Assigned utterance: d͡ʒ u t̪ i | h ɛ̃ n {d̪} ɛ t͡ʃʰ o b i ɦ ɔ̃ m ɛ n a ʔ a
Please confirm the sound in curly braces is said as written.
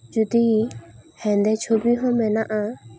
yes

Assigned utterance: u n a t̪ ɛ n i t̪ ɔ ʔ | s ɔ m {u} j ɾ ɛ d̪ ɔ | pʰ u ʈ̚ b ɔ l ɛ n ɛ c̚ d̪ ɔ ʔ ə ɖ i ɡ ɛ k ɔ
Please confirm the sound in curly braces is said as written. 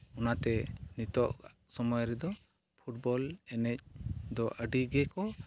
no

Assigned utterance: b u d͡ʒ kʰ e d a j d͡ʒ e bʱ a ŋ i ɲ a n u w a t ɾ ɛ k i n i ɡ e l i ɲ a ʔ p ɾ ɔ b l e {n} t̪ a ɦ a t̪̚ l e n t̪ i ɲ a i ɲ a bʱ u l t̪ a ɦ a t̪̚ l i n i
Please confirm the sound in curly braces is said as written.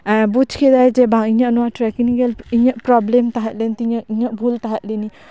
no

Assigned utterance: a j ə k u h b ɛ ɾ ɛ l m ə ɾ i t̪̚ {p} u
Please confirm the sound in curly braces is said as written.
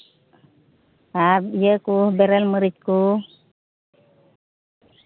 no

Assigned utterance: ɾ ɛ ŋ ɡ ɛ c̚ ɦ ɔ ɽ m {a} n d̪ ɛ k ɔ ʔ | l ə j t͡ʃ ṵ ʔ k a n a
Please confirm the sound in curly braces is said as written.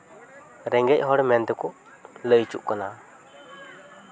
no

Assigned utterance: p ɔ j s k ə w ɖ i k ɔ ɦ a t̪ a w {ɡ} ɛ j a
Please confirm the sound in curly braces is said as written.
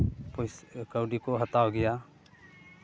yes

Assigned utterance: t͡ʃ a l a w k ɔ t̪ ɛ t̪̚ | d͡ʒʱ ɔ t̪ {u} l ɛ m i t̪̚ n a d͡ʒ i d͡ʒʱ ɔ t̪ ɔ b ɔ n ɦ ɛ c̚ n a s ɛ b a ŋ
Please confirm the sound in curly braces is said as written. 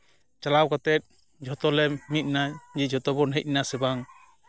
no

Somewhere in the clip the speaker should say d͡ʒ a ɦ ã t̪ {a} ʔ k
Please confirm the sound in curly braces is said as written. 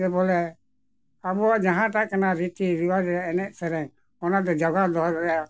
yes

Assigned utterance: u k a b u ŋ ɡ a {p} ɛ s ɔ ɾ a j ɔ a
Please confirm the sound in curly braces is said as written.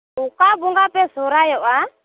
yes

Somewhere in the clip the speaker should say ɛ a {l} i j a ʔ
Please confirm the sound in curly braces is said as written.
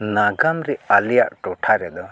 yes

